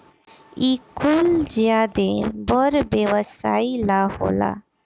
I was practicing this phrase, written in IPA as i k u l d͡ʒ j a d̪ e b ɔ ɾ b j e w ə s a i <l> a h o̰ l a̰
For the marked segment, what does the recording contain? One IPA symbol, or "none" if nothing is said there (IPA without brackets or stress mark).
l